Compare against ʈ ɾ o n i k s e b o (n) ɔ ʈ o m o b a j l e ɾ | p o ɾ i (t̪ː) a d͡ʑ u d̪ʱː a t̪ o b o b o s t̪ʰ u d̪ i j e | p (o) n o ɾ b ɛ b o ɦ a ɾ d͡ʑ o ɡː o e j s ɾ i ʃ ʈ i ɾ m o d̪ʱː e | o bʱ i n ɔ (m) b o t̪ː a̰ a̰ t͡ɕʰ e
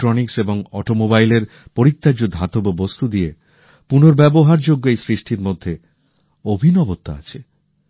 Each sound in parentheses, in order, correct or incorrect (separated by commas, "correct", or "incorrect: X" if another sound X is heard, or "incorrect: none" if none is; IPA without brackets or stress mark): incorrect: ŋ, correct, incorrect: u, incorrect: none